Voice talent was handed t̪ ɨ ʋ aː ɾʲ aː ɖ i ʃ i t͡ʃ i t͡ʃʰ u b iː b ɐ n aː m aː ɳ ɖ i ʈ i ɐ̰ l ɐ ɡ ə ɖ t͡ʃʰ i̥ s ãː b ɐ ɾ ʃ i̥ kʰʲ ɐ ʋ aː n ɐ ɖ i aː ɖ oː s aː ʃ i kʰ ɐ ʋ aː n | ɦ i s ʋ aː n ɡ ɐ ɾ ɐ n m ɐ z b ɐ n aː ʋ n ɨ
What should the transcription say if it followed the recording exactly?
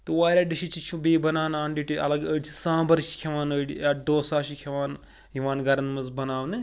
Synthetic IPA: t̪ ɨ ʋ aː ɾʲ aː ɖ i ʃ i t͡ʃ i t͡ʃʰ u b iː b ɐ n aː n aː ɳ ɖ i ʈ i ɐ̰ l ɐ ɡ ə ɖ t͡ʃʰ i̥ s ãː b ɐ ɾ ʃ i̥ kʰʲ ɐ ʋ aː n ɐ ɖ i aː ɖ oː s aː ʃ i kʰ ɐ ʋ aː n | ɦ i ʋ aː n ɡ ɐ ɾ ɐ n m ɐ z b ɐ n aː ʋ n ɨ

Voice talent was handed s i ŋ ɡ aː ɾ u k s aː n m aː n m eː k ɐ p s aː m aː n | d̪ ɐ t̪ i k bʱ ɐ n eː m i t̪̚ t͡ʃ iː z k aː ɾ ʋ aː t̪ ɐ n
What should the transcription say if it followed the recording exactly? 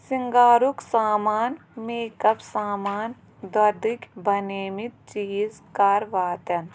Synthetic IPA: s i ŋ ɡ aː ɾ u k s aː m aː n m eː k ɐ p s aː m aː n | d̪ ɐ d̪ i k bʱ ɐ n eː m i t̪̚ t͡ʃ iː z k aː ɾ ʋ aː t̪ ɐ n

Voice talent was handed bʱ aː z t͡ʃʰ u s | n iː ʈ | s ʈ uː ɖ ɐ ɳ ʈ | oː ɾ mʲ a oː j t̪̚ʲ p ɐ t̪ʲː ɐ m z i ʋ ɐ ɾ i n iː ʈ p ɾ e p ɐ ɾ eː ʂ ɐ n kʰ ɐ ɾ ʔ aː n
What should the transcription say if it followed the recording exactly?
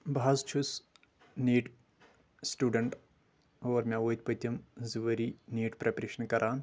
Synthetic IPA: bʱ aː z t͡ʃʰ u s | n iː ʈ | s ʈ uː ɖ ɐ ɳ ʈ | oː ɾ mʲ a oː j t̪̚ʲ p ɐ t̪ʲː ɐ m z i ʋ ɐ ɾ i n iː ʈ p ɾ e p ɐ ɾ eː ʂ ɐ n k ɐ ɾ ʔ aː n

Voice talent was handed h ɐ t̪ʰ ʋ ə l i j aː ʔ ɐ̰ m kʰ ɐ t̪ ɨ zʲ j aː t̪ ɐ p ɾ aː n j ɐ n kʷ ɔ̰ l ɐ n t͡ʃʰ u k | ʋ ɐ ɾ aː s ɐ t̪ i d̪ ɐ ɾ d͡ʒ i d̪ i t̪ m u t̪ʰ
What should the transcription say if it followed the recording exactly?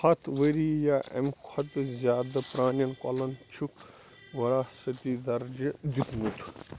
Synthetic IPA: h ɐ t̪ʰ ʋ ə ɾ i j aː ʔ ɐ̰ m kʰ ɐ t̪ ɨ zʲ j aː d̪ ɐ p ɾ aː n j ɐ n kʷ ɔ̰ l ɐ n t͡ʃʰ u k | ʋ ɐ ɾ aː s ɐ t̪ i d̪ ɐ ɾ d͡ʒ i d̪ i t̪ m u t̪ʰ

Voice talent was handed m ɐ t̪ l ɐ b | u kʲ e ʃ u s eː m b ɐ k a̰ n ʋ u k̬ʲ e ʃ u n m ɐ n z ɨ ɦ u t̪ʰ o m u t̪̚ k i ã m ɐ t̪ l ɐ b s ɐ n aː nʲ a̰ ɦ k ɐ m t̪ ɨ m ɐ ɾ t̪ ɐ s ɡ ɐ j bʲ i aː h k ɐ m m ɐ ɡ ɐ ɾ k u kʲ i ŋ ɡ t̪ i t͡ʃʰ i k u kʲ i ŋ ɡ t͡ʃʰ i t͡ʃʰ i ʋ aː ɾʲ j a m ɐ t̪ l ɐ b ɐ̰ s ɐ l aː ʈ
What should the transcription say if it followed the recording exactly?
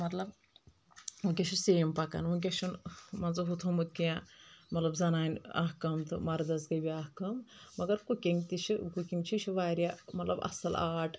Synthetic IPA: m ɐ t̪ l ɐ b | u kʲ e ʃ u s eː m p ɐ k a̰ n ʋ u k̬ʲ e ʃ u n m ɐ n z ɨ ɦ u t̪ʰ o m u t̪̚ k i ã m ɐ t̪ l ɐ b z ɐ n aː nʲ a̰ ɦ k ɐ m t̪ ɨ m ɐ ɾ d̪ ɐ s ɡ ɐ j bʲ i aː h k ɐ m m ɐ ɡ ɐ ɾ k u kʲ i ŋ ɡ t̪ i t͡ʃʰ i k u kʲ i ŋ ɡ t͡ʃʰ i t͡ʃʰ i ʋ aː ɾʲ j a m ɐ t̪ l ɐ b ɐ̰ s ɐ l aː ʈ

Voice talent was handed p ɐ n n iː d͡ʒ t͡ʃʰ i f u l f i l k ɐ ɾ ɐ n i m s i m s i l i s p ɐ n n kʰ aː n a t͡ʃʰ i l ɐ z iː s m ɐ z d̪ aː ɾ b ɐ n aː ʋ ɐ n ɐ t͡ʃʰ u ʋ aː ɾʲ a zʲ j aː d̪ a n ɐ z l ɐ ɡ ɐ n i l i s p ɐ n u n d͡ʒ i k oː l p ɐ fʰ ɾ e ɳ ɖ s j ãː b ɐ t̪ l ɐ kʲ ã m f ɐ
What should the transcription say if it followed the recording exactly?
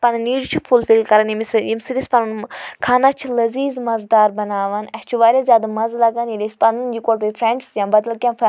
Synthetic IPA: p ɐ n n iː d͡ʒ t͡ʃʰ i f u l f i l k ɐ ɾ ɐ n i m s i m s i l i s p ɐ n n kʰ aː n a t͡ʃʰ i l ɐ z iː z m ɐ z d̪ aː ɾ b ɐ n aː ʋ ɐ n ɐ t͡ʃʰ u ʋ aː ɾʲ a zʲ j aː d̪ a m ɐ z l ɐ ɡ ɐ n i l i s p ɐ n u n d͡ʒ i k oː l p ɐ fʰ ɾ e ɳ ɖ s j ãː b ɐ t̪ l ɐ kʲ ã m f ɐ

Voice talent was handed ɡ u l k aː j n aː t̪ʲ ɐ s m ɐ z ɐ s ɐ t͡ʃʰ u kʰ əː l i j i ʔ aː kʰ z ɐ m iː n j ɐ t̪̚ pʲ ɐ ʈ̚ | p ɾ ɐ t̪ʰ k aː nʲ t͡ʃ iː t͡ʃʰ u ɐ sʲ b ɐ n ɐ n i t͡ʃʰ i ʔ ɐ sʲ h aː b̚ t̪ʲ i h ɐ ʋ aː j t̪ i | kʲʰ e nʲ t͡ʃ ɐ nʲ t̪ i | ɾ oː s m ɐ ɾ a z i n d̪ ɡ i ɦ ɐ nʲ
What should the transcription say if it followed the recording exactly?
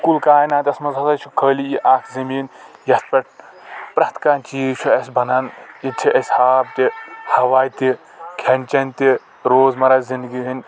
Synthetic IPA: k u l k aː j n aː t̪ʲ ɐ s m ɐ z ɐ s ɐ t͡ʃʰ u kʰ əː l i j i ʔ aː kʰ z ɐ m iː n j ɐ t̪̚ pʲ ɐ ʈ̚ | p ɾ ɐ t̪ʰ k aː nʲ t͡ʃ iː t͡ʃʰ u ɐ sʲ b ɐ n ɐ n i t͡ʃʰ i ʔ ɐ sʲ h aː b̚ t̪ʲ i h ɐ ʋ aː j t̪ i | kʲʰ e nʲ t͡ʃ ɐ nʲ t̪ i | ɾ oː z m ɐ ɾ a z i n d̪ ɡ i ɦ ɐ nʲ

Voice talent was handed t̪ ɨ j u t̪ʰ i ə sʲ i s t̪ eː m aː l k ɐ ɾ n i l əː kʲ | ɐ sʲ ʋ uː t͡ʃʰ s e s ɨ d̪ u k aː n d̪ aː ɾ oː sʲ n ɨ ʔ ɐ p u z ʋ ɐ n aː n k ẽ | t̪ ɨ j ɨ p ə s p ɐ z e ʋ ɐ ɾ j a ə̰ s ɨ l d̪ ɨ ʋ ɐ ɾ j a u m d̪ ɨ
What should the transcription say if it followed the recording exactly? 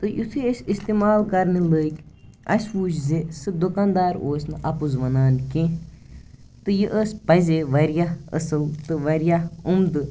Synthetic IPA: t̪ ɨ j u t̪ʰ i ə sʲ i s t̪ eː m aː l k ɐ ɾ n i l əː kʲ | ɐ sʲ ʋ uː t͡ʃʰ z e s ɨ d̪ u k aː n d̪ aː ɾ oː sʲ n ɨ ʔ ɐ p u z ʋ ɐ n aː n k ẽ | t̪ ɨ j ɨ ʔ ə s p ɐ z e ʋ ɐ ɾ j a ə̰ s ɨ l t̪ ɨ ʋ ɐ ɾ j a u m d̪ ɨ

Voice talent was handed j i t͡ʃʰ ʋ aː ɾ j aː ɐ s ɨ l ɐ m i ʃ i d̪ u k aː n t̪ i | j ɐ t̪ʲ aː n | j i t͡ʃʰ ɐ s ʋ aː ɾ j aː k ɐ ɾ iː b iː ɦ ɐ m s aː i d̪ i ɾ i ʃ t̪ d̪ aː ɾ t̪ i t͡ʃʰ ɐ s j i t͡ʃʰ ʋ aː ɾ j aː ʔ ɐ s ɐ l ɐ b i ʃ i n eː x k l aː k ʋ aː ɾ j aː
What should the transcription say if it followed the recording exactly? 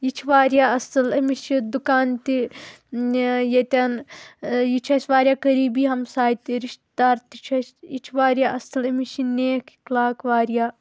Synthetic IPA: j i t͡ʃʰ ʋ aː ɾ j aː ɐ s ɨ l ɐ m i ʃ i d̪ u k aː n t̪ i | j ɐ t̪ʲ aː n | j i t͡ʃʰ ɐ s ʋ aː ɾ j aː k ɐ ɾ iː b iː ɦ ɐ m s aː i t̪ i ɾ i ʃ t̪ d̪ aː ɾ t̪ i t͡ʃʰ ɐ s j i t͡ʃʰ ʋ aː ɾ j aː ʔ ɐ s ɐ l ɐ m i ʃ i n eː k k l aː k ʋ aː ɾ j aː

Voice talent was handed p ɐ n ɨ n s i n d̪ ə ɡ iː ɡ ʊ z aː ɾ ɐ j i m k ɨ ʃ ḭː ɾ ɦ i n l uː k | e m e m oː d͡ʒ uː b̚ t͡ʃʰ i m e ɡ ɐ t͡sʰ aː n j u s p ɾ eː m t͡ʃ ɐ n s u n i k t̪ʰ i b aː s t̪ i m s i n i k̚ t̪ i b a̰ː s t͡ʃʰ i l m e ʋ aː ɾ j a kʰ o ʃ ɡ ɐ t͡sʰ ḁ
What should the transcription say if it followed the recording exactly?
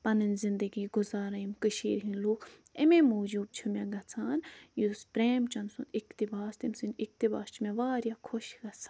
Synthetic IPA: p ɐ n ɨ n z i n d̪ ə ɡ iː ɡ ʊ z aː ɾ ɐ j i m k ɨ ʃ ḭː ɾ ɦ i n l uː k | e m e m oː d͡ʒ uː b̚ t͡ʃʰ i m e ɡ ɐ t͡sʰ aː n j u s p ɾ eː m t͡ʃ ɐ n s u n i k t̪ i b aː s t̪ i m s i n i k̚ t̪ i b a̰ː s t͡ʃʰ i m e ʋ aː ɾ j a kʰ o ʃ ɡ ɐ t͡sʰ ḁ

